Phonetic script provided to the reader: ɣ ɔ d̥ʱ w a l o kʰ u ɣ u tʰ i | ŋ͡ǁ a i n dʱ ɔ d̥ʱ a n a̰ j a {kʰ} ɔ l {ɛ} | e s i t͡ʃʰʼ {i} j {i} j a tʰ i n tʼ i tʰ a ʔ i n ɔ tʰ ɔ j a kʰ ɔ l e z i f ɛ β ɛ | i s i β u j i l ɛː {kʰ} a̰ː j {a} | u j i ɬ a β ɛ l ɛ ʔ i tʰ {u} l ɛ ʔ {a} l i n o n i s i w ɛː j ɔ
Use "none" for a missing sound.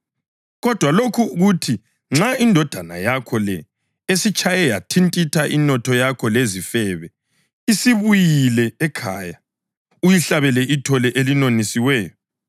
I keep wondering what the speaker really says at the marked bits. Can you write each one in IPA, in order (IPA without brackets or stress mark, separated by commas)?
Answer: kʰ, ɛ, a, ɛ, kʰ, a, ɔ, e